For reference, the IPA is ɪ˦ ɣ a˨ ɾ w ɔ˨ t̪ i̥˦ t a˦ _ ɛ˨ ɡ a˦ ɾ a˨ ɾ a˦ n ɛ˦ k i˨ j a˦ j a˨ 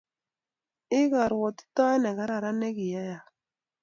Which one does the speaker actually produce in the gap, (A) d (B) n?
B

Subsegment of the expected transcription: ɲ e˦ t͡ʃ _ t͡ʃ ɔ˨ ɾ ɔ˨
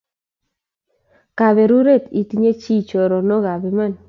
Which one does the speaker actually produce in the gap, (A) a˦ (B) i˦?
B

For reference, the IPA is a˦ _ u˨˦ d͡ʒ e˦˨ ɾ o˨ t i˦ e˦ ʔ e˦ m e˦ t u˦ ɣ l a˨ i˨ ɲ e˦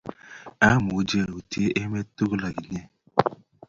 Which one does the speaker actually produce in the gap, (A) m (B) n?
A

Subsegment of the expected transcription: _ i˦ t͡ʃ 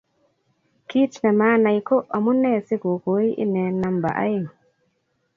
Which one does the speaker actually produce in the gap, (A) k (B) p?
A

